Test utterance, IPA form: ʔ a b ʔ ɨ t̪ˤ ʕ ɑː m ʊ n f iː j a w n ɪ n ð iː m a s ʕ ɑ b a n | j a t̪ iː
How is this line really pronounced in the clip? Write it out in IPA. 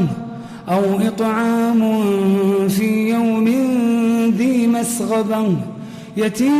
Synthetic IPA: ʔ a w ʔ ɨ t̪ˤ ʕ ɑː m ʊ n f iː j a w m ɪ n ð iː m a s ɣ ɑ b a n | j a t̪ iː